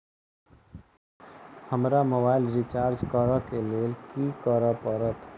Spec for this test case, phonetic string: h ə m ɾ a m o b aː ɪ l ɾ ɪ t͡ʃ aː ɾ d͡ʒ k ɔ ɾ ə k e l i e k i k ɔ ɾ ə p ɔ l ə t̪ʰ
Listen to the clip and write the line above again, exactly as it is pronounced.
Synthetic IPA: h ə m ɾ a m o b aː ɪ l ɾ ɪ t͡ʃ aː ɾ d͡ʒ k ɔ ɾ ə k e l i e k i k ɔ ɾ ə p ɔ ɾ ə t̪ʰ

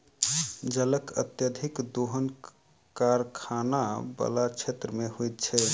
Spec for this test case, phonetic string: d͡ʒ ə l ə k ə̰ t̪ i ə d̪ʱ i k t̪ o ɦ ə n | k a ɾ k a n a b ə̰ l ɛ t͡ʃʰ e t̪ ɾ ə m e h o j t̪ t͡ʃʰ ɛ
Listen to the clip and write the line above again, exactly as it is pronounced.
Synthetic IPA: d͡ʒ ə l ə k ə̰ t̪ j ə d̪ʱ i k d̪ o ɦ ə n | k a ɾ kʰ a n a b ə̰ l a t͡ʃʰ e t̪ ɾ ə m e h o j t̪ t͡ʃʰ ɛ

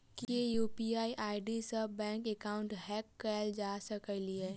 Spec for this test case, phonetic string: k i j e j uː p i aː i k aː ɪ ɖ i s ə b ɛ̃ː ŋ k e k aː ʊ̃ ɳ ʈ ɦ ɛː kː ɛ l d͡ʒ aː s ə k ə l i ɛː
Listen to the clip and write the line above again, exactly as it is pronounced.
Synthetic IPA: k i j e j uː p i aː i ʔ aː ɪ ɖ i s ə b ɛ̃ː ŋ k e k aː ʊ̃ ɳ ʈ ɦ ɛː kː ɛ l d͡ʒ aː s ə k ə l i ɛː

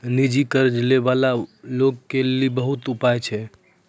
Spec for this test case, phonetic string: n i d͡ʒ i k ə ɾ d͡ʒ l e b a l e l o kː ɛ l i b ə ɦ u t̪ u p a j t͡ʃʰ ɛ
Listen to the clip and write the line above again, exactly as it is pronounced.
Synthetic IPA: n i d͡ʒ i k ə ɾ d͡ʒ l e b a l a l o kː e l i b ə ɦ u t̪ u p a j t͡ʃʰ ɛ

